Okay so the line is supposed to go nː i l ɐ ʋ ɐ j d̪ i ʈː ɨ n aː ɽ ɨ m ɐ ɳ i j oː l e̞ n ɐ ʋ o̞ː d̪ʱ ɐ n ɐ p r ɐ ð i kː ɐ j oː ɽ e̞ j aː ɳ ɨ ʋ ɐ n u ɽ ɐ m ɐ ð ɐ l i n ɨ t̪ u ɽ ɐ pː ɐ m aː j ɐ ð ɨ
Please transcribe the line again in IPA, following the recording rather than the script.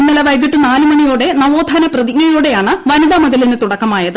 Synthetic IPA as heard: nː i l ɐ ʋ ɐ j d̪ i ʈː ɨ n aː l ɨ m ɐ ɳ i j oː ɽ e̞ n ɐ ʋ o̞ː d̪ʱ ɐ n ɐ p r ɐ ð i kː ɐ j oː ɽ e̞ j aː ɳ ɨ ʋ ɐ n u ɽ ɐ m ɐ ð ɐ l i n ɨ t̪ u ɽ ɐ kː ɐ m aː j ɐ ð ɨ

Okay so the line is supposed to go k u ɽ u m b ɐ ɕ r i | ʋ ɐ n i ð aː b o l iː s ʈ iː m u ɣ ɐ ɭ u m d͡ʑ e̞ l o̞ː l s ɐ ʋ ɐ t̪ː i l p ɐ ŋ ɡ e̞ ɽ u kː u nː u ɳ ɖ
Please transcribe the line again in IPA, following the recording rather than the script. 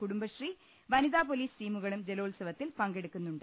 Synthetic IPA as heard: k u ɽ u m b ɐ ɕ r i | ʋ ɐ n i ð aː p o l iː s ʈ iː m u ɣ ɐ ɭ u m d͡ʑ e̞ l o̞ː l s ɐ ʋ ɐ t̪ː i l p ɐ ŋ ɡ e̞ ɽ u kː u nː u ɳ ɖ

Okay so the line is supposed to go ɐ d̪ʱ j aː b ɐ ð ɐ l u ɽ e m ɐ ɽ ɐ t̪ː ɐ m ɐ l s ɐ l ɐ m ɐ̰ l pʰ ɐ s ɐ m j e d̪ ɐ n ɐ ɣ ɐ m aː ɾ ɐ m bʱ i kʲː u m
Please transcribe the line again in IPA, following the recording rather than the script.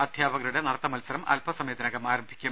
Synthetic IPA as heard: ɐ d̪ʱ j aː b ɐ ɣ ɐ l u ɽ e n ɐ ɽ ɐ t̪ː ɐ m ɐ l s ɐ ɾ ɐ m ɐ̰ l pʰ ɐ s ɐ m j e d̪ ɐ n ɐ ɣ ɐ m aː ɾ ɐ m bʱ i kʲː u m

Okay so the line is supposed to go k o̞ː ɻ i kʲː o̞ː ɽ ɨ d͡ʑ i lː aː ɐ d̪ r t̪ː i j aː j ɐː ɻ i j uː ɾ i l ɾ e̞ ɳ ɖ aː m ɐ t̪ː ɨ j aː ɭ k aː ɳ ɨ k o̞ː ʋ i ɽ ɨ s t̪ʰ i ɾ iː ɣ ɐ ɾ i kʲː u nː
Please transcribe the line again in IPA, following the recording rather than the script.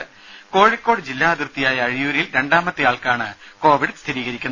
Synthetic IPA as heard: k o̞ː ɻ i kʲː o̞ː ɽ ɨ d͡ʑ i lː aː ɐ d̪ r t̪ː i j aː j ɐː ɻ i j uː ɾ i l ɾ e̞ ɳ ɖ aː m ɐ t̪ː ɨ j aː ɭ k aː ɳ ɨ k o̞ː ʋ i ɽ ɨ s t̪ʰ i ɾ iː ɣ ɐ ɾ i kʲː u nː

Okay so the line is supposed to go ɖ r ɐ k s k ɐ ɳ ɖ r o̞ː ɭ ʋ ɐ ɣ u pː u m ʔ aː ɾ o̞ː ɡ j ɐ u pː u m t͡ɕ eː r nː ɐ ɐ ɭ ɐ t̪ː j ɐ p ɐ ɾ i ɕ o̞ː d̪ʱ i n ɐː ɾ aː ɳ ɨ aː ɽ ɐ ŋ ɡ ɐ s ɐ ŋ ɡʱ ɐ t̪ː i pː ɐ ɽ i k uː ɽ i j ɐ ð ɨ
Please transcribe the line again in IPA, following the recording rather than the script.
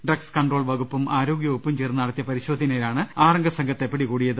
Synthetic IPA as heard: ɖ r ɐ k s k ɐ ɳ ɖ r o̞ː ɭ ʋ ɐ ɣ u pː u m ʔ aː ɾ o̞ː ɡ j ɐ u pː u m t͡ɕ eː r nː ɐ ɐ ɽ ɐ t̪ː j ɐ p ɐ ɾ i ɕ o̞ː d̪ʱ i n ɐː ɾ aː ɳ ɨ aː r ɐ ŋ ɡ ɐ s ɐ ŋ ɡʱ ɐ t̪ː e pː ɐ ɽ i k uː ɽ i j ɐ ð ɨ

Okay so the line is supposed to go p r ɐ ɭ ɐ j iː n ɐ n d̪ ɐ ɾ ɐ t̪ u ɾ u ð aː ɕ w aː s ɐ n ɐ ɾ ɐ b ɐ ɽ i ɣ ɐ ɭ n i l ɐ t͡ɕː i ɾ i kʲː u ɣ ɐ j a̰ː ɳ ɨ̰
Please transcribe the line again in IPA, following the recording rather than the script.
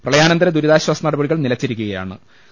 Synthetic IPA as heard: p r ɐ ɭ ɐ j aː n ɐ n d̪ ɐ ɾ ɐ d̪ u ɾ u ð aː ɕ w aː s ɐ n ɐ ɽ ɐ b ɐ ɽ i ɣ ɐ ɭ n i l ɐ t͡ɕː i ɾ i kʲː u ɣ ɐ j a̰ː ɳ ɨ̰

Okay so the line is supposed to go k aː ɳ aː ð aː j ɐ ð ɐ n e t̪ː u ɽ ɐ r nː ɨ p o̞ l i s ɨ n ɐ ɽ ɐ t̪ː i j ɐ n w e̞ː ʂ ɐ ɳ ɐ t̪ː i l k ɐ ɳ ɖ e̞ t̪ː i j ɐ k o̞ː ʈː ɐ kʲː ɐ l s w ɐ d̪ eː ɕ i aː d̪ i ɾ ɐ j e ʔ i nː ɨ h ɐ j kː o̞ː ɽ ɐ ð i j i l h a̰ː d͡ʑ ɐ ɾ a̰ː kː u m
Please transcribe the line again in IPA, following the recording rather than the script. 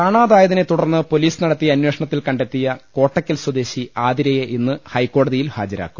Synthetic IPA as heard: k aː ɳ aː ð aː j ɐ ð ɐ n e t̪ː u ɽ ɐ r nː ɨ p o̞ l iː s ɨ n ɐ ɽ ɐ t̪ː i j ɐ n w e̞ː ʂ ɐ ɳ ɐ t̪ː i l k ɐ ɳ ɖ e̞ t̪ː i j ɐ k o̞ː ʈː ɐ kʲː ɐ l s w ɐ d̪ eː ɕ i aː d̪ i ɾ ɐ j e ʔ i nː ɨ h ɐ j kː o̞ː ɽ ɐ ð i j i l h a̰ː d͡ʑ ɐ ɾ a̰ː kː u m

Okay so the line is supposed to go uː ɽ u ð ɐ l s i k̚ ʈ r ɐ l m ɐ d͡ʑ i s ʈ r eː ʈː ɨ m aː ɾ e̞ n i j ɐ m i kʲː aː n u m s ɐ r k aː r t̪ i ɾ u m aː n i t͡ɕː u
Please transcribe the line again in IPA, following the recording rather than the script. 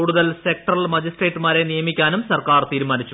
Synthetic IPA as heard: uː ɽ u ð ɐ l s e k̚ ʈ r ɐ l m ɐ d͡ʑ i s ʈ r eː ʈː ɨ m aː ɾ e̞ n i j ɐ m i kʲː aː n u m s ɐ r k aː r t̪ iː ɾ u m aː n i t͡ɕː u

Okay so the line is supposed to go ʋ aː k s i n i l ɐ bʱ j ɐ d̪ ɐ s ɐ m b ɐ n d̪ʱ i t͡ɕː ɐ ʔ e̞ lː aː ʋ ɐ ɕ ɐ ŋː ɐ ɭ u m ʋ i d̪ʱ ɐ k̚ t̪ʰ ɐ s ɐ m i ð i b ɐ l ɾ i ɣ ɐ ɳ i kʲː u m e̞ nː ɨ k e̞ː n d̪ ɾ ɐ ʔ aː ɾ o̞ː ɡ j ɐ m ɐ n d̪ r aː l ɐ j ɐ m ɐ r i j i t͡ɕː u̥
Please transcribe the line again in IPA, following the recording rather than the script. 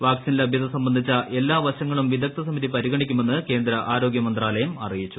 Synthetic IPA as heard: ʋ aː k s i n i l ɐ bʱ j ɐ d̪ ɐ s ɐ m b ɐ n d̪ʱ i t͡ɕː ɐ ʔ e̞ lː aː ʋ ɐ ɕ ɐ ŋː ɐ ɭ u m ʋ i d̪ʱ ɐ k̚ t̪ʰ ɐ s ɐ m i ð i p ɐ ɾ i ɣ ɐ ɳ i kʲː u m e̞ nː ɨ k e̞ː n d̪ ɾ ɐ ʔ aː ɾ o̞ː ɡ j ɐ m ɐ n d̪ r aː l ɐ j ɐ m ɐ r i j i t͡ɕː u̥

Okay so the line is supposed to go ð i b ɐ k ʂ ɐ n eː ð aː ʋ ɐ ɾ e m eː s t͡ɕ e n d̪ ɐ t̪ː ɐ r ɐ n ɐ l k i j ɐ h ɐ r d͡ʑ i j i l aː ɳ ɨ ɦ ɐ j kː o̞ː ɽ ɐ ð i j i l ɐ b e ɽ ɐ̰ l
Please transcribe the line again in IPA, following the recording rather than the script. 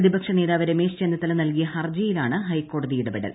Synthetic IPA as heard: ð i b ɐ k ʂ ɐ n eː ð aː ʋ ɐ ɾ e m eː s t͡ɕ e n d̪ ɐ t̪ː ɐ l ɐ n ɐ l k i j ɐ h ɐ r d͡ʑ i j i l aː ɳ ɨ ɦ ɐ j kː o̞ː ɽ ɐ ð i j i ɽ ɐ b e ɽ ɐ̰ l

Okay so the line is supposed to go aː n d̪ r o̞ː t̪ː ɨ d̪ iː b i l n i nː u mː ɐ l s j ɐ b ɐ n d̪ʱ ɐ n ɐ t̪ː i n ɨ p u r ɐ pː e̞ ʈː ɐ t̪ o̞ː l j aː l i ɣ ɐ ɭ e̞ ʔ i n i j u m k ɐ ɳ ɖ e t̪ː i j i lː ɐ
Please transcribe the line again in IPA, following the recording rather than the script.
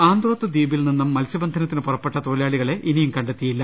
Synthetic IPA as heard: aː n d̪ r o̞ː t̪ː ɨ d̪ iː b i l n i nː u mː ɐ l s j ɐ b ɐ n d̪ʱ ɐ n ɐ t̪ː i n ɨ p u r ɐ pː e̞ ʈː ɐ t̪ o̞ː l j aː ɭ i ɣ ɐ ɭ e̞ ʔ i n i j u m k ɐ ɳ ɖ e t̪ː i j i lː ɐ

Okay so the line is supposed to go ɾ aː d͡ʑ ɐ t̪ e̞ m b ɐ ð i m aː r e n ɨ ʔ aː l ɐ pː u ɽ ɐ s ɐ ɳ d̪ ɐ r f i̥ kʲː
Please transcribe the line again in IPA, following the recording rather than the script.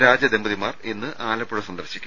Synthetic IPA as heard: ɾ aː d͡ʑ ɐ d̪ e̞ m b ɐ ð i m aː r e nː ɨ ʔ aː l ɐ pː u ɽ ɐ s ɐ n d̪ ɐ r ɕ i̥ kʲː

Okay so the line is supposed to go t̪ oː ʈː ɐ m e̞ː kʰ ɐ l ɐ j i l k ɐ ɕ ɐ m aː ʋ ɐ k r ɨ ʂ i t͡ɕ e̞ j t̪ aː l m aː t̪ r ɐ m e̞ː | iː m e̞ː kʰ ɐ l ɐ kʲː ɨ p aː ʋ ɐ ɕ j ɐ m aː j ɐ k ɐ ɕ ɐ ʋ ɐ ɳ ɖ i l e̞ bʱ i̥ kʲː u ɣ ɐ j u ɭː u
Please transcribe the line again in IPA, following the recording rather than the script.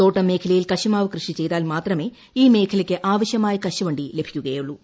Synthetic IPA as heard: t̪ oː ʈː ɐ m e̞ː kʰ ɐ l ɐ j i l k ɐ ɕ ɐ m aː ʋ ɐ k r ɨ ʂ i t͡ɕ e̞ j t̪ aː l m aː t̪ r ɐ m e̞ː | iː m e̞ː kʰ ɐ l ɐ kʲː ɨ ʔ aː ʋ ɐ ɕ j ɐ m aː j ɐ k ɐ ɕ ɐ ʋ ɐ ɳ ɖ i l e̞ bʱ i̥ kʲː u ɣ ɐ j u ɭː u

